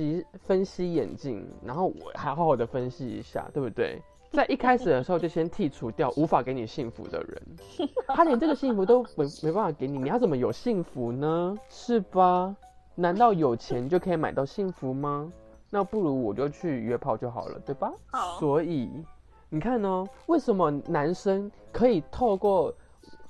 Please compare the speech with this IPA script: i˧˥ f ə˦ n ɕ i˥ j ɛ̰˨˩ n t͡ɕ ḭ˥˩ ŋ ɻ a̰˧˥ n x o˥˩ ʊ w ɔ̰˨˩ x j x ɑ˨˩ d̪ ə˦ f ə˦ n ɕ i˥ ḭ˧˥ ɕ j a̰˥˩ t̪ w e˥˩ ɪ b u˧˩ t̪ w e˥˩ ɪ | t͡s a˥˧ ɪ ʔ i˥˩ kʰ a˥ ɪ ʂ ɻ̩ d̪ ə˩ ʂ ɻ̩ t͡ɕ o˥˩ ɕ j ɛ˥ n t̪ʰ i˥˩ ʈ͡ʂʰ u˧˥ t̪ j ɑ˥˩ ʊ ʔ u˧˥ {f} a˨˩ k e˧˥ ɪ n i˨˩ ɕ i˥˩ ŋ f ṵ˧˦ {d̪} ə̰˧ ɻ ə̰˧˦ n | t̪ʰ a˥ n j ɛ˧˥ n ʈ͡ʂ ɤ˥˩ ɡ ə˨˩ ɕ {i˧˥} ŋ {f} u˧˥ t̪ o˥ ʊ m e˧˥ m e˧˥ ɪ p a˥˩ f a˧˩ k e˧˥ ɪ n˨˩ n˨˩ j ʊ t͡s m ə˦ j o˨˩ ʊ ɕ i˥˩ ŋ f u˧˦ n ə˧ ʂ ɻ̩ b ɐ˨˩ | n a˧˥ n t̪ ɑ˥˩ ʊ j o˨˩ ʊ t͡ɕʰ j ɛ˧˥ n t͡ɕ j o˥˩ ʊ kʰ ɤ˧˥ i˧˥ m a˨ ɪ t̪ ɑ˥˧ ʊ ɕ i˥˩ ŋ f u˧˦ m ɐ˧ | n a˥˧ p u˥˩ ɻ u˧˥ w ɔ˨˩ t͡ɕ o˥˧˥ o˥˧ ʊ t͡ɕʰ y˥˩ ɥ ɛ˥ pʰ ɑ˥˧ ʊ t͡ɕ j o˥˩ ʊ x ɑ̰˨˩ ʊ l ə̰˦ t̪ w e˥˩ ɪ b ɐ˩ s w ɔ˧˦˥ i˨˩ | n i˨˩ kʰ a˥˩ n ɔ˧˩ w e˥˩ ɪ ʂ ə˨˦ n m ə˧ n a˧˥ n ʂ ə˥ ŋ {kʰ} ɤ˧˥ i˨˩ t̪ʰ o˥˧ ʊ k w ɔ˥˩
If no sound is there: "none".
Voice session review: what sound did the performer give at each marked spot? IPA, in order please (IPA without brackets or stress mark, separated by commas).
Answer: f, d̪, i˥˩, f, kʰ